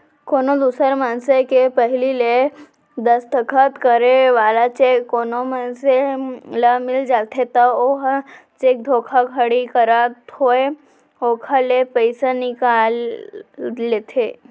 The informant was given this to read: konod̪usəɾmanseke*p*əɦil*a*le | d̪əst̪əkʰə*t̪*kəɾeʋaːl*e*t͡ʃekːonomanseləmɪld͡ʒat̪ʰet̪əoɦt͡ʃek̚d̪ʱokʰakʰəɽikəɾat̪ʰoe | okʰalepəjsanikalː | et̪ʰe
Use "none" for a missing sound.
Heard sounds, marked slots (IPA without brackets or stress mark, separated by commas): p, i, t̪, a